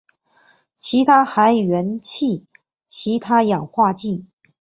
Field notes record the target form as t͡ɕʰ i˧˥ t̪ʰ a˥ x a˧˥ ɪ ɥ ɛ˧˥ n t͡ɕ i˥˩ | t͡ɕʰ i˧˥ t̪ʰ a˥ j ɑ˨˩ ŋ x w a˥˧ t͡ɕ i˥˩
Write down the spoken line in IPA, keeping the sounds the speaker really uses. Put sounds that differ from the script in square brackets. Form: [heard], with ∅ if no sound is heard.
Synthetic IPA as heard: t͡ɕʰ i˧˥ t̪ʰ a˥ x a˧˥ ɪ ɥ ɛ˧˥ n [t͡ɕʰ] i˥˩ | t͡ɕʰ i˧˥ t̪ʰ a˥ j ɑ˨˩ ŋ x w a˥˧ t͡ɕ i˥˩